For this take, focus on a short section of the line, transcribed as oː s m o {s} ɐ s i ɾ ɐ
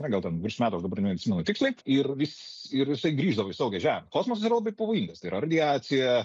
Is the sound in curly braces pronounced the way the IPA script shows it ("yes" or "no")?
yes